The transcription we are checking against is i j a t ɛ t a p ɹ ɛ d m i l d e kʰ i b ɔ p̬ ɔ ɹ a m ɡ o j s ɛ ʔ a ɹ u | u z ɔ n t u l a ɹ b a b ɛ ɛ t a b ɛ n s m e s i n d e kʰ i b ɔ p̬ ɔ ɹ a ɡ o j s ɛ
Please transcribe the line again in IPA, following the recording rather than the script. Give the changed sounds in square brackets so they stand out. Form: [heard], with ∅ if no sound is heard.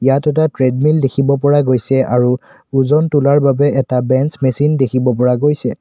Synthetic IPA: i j a t ɛ t a [t] ɹ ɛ d m i l d e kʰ i b ɔ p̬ ɔ ɹ a [∅] ɡ o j s ɛ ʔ a ɹ u | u z ɔ n t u l a ɹ b a b ɛ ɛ t a b ɛ n s m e s i n d e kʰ i b ɔ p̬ ɔ ɹ a ɡ o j s ɛ